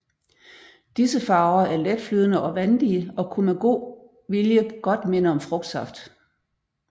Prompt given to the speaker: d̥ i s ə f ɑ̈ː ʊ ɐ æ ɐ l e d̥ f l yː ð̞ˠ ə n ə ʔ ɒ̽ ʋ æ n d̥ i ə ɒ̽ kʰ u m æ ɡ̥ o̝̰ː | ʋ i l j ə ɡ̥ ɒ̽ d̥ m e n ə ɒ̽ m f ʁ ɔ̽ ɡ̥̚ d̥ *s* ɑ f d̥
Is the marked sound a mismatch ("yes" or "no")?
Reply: no